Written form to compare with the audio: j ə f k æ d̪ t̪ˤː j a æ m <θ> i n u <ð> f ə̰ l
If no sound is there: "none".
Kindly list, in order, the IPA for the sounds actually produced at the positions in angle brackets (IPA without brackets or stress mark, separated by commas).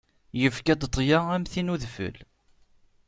θ, ð